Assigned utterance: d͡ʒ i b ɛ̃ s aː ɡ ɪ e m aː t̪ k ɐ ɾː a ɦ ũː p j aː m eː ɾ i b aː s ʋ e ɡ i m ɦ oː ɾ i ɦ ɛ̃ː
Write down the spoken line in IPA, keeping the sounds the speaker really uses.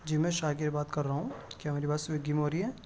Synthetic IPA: d͡ʒ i m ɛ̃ ʃ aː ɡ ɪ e b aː t̪ k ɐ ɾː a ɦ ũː k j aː m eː ɾ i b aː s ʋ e ɡ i m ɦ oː ɾ i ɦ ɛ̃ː